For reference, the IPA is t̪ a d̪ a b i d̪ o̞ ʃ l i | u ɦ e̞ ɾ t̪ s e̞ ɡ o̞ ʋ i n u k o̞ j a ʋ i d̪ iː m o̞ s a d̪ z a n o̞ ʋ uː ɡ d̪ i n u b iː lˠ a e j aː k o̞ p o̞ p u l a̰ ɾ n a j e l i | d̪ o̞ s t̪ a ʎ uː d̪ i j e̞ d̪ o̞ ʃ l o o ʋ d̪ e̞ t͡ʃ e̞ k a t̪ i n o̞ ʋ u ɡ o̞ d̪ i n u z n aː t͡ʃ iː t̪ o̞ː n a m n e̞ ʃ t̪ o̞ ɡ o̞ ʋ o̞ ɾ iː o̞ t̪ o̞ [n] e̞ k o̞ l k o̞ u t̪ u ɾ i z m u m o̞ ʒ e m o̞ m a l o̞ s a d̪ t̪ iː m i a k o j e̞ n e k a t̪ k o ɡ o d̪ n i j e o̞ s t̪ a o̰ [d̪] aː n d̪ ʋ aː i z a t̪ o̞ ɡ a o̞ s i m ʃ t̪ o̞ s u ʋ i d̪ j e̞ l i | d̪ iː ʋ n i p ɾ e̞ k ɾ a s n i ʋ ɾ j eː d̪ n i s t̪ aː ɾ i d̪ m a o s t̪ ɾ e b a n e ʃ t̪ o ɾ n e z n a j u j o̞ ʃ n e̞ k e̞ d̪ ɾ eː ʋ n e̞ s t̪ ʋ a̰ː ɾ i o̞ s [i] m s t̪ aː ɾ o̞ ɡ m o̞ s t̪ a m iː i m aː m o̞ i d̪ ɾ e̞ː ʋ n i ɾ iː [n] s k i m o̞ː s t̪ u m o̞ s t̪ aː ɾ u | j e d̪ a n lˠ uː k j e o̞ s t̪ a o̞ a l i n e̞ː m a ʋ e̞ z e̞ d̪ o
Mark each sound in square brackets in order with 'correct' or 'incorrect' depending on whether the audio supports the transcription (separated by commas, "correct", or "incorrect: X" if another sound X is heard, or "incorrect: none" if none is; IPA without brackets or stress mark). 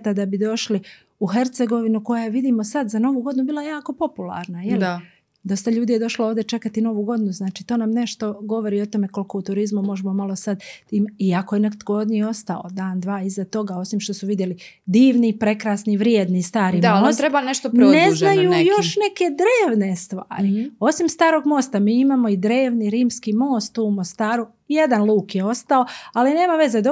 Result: incorrect: m, correct, correct, incorrect: m